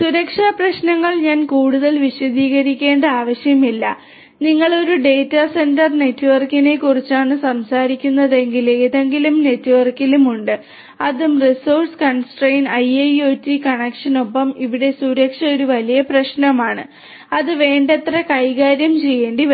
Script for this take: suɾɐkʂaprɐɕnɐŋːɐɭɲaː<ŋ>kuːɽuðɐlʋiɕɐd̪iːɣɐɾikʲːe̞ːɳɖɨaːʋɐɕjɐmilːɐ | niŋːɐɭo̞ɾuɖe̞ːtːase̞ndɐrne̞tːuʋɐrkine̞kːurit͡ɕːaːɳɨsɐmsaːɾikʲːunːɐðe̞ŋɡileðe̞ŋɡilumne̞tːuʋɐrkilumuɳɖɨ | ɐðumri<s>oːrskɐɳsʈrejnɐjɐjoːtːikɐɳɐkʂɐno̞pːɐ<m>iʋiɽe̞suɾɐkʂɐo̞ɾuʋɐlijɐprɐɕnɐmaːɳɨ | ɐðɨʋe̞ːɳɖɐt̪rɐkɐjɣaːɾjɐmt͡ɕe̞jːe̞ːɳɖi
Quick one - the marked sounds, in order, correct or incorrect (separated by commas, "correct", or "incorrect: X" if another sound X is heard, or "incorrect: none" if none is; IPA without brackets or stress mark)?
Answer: incorrect: n, correct, correct